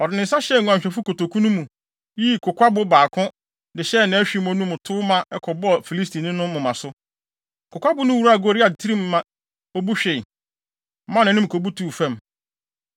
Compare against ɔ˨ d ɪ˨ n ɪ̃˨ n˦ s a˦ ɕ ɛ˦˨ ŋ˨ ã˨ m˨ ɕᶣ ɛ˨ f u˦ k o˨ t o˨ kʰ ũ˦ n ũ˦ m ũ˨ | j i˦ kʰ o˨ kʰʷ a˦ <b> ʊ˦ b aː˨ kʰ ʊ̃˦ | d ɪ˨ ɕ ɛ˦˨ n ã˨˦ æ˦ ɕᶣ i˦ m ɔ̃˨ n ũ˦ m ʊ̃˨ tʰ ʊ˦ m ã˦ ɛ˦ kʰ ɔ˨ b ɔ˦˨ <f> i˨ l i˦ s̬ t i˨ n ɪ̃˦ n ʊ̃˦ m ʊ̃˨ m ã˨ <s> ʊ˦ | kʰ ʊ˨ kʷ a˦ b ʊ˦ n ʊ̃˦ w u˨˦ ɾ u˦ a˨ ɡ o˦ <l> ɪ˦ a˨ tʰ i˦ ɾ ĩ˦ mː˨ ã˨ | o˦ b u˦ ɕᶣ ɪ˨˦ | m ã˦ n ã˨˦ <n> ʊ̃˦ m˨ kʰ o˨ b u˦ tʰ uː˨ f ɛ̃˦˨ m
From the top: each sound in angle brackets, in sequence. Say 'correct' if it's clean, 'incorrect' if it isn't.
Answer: correct, correct, correct, incorrect: ɾ, correct

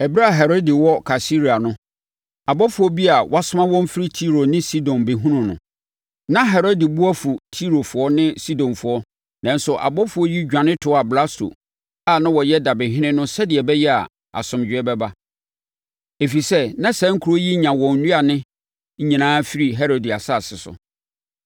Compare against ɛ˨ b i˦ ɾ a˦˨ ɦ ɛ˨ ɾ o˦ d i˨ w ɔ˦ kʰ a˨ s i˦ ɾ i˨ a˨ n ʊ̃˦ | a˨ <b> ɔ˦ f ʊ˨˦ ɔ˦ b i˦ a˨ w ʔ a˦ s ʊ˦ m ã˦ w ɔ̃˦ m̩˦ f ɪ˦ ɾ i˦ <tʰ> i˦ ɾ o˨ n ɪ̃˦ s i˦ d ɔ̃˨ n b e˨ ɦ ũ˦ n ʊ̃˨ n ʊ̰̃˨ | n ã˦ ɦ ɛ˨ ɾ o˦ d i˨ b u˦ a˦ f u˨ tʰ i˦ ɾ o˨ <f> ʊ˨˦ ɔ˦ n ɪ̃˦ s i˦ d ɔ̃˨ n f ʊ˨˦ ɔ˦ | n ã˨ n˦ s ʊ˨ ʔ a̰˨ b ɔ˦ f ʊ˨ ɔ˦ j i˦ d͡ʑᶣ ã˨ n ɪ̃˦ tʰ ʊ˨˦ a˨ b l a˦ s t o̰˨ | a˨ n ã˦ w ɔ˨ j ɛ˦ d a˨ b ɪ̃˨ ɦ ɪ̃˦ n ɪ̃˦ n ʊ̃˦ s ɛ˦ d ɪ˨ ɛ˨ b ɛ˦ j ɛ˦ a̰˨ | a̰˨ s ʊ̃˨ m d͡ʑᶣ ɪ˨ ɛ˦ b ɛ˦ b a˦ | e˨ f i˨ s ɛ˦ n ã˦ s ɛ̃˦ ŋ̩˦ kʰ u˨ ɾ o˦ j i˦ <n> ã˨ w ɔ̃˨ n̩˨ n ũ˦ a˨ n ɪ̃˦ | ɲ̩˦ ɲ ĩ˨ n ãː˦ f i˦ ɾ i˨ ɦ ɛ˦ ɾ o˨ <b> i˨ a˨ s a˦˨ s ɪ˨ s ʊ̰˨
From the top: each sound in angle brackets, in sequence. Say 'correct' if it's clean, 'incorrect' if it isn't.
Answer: correct, correct, correct, incorrect: ɲ, incorrect: d

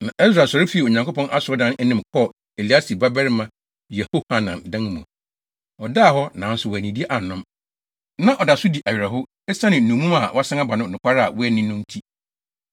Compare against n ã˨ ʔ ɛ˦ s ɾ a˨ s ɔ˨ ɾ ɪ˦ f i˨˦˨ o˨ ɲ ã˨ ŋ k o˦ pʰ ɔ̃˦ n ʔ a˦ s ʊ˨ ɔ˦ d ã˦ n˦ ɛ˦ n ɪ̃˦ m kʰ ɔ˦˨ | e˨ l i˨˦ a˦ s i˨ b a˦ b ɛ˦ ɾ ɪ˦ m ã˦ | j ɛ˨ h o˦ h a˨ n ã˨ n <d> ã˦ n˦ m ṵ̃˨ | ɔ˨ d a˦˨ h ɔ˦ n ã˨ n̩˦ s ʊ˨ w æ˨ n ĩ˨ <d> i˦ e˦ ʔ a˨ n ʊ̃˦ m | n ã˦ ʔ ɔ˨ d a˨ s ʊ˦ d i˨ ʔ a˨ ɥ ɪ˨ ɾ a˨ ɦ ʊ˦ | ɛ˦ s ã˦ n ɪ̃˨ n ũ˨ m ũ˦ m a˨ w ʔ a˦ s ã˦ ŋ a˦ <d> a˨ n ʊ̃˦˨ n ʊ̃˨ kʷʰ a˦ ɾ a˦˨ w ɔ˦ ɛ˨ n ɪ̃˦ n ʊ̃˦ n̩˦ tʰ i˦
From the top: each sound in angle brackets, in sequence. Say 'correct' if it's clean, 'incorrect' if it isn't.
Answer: correct, correct, incorrect: b

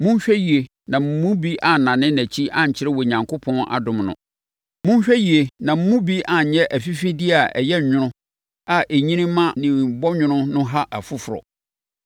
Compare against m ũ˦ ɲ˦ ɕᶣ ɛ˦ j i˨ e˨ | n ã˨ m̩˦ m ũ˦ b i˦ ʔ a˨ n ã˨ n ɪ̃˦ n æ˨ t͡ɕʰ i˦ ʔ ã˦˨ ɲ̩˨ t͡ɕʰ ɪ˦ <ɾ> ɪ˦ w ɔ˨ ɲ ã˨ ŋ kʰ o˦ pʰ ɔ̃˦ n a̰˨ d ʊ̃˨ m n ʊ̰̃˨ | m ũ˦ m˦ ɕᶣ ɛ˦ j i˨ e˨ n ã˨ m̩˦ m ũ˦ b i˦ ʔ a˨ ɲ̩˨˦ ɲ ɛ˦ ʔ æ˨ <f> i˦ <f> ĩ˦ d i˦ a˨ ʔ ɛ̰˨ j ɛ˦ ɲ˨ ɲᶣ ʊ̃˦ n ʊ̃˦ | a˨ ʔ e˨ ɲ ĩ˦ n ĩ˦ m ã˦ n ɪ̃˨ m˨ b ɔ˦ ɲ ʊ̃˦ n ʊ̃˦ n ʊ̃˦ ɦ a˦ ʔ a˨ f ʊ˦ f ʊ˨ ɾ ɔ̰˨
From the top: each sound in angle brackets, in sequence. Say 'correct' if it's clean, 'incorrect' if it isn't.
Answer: correct, correct, correct

